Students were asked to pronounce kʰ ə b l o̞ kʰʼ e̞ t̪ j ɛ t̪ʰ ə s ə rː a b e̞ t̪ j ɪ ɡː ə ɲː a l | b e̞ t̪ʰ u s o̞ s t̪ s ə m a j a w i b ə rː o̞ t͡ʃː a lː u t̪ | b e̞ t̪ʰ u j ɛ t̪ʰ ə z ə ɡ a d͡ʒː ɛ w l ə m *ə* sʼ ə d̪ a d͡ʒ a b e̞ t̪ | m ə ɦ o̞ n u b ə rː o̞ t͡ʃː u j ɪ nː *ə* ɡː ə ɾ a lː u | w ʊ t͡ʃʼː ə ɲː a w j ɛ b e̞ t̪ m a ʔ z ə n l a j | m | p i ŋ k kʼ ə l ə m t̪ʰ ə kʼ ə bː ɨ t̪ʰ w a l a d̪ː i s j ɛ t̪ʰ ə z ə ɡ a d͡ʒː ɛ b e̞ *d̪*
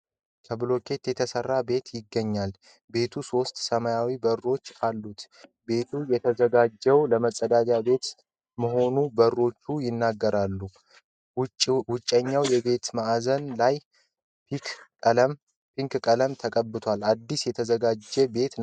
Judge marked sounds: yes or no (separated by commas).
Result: yes, no, no